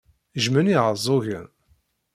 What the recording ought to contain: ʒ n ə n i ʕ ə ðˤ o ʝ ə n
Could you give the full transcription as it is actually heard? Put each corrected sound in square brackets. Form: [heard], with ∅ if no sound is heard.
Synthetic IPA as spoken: ʒ [m] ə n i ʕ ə [zˤ] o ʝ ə n

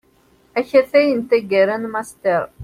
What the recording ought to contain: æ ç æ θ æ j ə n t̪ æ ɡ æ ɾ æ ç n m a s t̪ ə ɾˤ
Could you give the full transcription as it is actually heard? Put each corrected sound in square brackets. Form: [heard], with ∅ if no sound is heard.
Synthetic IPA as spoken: æ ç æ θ æ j ə n t̪ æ ɡ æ ɾ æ [∅] n m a s t̪ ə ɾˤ

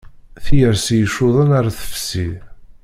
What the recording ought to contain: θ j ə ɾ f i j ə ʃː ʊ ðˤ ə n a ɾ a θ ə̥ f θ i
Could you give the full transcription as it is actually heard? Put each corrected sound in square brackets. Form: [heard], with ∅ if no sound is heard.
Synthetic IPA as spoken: θ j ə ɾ [s] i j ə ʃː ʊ ðˤ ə n a ɾ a θ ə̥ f [s] i

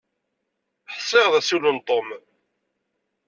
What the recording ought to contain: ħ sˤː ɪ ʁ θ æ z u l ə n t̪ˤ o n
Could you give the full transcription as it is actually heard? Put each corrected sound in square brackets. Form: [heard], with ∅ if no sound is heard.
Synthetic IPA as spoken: ħ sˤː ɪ ʁ [ð] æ [s] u l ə n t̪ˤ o [m]

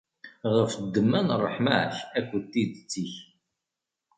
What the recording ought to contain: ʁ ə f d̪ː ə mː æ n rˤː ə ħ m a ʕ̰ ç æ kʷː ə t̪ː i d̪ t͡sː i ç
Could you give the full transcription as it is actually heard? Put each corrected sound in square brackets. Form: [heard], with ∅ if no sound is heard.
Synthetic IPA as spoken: ʁ ə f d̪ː ə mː æ n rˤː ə ħ m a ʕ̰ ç æ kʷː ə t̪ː i d̪ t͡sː i ç

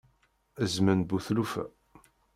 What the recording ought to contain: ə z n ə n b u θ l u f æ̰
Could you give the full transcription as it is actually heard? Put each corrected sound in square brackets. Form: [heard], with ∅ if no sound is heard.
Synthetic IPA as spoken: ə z [m] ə n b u θ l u f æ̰

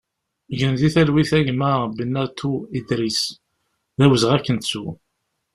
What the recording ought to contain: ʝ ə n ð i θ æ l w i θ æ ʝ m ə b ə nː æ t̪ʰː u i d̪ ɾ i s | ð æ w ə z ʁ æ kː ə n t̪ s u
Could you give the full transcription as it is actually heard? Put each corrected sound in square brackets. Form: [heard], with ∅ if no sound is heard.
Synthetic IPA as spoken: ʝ ə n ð i θ æ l w i θ æ ʝ m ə b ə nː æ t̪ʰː u i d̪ ɾ i s | ð æ w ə z ʁ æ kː ə n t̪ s u

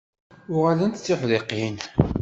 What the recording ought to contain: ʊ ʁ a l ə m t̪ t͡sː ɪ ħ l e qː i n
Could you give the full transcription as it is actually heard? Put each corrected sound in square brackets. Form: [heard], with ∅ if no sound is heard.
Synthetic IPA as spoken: ʊ ʁ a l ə [n] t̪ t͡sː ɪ ħ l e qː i n

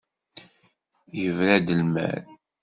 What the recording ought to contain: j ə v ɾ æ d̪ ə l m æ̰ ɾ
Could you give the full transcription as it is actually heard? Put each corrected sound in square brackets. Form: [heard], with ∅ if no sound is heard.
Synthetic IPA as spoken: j ə v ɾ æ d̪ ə l m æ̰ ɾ

